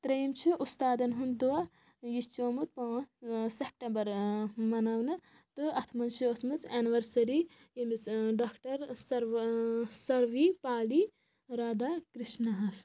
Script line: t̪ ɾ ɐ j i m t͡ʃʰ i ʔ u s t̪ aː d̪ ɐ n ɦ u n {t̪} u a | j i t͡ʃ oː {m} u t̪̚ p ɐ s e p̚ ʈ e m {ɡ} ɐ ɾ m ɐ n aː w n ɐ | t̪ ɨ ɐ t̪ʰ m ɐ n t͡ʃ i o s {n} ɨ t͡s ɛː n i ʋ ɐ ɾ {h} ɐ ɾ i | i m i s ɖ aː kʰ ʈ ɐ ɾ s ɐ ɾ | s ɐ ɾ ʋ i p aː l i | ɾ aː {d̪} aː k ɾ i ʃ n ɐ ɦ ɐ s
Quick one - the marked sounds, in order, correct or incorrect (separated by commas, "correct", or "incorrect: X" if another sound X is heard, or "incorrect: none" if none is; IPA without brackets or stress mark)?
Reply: incorrect: d̪, correct, incorrect: b, incorrect: m, incorrect: s, correct